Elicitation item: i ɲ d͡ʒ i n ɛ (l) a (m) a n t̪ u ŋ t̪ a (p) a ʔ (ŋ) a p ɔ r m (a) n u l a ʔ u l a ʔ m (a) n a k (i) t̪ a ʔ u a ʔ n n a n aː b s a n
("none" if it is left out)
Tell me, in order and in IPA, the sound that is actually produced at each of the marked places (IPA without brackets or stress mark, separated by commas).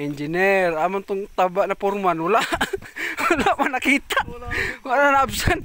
r, m, b, n, a, a, i